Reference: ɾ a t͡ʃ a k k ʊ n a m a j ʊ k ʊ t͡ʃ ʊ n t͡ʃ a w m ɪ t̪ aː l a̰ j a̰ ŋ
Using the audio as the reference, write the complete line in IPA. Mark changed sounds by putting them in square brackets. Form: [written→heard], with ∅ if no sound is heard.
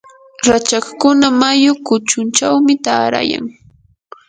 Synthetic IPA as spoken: ɾ a t͡ʃ a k k ʊ n a m a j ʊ k ʊ t͡ʃ ʊ n t͡ʃ a w m ɪ t̪ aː [l→ɾ] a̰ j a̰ ŋ